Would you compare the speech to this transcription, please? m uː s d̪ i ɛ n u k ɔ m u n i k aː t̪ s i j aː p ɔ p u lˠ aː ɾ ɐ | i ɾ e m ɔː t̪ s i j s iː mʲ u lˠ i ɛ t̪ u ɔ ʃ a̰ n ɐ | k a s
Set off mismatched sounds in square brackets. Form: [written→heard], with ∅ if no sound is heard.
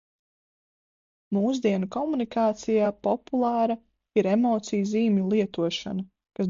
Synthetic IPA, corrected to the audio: m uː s d̪ i ɛ n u k ɔ m u n i k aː t̪ s i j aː p ɔ p u lˠ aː ɾ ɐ | i ɾ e m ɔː t̪ s i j [s→z] iː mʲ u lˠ i ɛ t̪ u ɔ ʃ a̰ n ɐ | k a s

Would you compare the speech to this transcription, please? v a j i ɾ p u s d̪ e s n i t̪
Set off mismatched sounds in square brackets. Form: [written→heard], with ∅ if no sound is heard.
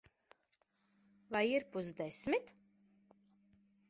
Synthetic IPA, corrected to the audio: v a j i ɾ p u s d̪ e s [n→m] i t̪

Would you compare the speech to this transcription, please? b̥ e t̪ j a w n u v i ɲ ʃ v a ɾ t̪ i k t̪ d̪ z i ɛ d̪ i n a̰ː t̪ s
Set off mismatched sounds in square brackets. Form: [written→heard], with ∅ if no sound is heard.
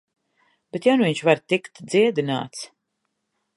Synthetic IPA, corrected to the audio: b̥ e t̪ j a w n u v i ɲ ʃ v a ɾ t̪ i k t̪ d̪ z i ɛ d̪ i n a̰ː t̪ s

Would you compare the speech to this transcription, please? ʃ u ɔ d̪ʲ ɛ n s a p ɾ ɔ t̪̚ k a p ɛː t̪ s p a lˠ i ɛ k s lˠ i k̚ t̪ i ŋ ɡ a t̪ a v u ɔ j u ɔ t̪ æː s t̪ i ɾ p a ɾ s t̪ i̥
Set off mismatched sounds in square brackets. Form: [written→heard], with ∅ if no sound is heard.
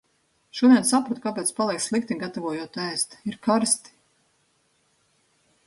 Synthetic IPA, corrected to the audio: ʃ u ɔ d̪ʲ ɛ n s a p ɾ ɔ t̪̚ k a p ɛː t̪ s p a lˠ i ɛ k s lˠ i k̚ t̪ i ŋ ɡ a t̪ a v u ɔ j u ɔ t̪ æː s t̪ i ɾ [p→k] a ɾ s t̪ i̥

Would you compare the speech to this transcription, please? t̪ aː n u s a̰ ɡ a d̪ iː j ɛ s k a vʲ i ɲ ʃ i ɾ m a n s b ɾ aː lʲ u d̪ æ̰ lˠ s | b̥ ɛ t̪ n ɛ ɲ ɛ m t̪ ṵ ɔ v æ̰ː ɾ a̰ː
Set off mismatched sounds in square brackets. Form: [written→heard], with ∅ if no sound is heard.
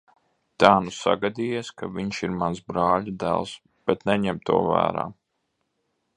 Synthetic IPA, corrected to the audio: t̪ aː n u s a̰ ɡ a d̪ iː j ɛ s k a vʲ i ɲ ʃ i ɾ m a n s b ɾ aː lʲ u d̪ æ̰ lˠ s | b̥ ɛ t̪ n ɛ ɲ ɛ m t̪ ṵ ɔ v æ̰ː ɾ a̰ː

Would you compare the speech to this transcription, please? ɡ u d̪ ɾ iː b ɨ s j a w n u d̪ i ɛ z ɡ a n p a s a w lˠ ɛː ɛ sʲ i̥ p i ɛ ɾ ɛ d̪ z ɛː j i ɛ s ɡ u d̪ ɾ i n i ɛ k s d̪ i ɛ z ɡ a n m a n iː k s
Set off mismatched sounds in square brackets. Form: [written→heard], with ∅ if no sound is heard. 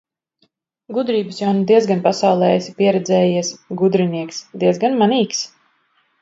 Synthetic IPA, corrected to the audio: ɡ u d̪ ɾ iː b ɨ s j a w n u d̪ i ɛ z ɡ a n p a s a w lˠ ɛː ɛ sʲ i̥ p i ɛ ɾ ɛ d̪ z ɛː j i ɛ s ɡ u d̪ ɾ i n i ɛ k s d̪ i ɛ z ɡ a n m a n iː k s

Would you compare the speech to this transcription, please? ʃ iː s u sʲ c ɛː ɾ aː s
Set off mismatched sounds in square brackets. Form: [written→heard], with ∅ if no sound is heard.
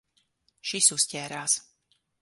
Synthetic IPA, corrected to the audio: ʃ [iː→i] s u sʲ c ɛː ɾ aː s

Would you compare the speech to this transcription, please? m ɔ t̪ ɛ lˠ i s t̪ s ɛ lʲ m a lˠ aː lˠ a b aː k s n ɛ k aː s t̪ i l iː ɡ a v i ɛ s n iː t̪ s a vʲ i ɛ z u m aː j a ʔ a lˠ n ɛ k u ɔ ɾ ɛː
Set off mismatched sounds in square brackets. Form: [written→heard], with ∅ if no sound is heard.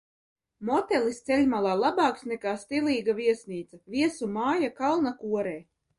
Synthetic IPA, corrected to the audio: m ɔ t̪ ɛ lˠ i s t̪ s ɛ lʲ m a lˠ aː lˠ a b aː k s n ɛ k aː s t̪ i l iː ɡ a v i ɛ s n iː t̪ s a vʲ i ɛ [z→s] u m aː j a [ʔ→k] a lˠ n [ɛ→a] k u ɔ ɾ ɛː

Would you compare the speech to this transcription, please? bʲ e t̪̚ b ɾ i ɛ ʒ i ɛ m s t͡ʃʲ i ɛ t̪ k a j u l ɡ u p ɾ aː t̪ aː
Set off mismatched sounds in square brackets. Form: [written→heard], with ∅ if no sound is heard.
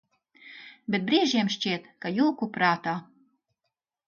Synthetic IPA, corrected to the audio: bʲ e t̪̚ b ɾ i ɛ ʒ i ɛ m [s→ʃ] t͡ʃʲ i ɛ t̪ k a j u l [ɡ→k] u p ɾ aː t̪ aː

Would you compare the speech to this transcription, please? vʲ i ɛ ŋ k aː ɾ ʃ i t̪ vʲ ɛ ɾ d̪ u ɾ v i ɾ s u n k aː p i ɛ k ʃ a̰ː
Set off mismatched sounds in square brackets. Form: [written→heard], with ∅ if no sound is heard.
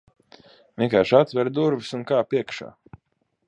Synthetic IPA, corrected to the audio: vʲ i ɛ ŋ k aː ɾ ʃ [i→a] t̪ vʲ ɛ ɾ d̪ u ɾ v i [ɾ→∅] s u n k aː p i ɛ k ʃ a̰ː

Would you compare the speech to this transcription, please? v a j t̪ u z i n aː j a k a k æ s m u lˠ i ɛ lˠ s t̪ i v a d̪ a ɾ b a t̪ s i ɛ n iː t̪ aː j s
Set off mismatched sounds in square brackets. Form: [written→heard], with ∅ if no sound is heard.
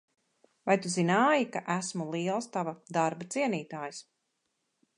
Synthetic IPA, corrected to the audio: v a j t̪ u z i n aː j [a→i] k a [k→ʔ] æ s m u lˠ i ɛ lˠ s t̪ [i→a] v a d̪ a ɾ b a t̪ s i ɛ n iː t̪ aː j s

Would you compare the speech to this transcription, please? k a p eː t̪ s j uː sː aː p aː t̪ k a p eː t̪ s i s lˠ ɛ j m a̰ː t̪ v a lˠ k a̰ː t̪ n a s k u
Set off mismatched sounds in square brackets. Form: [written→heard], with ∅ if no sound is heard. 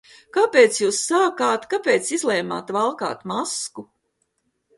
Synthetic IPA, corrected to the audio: k a p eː t̪ s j uː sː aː [p→k] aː t̪ k a p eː t̪ s i [s→z] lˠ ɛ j m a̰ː t̪ v a lˠ k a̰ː t̪ [n→m] a s k u

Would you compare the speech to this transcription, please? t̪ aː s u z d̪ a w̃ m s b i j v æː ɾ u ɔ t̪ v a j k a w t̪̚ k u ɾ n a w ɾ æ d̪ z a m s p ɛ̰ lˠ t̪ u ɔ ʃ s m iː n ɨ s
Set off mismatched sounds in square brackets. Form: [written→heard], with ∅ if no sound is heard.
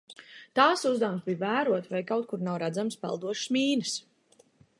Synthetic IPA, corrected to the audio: t̪ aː s u z d̪ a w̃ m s b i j v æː ɾ u ɔ t̪ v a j k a w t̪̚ k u ɾ n a w ɾ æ d̪ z a m s p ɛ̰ lˠ [t̪→d̪] u ɔ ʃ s m iː n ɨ s

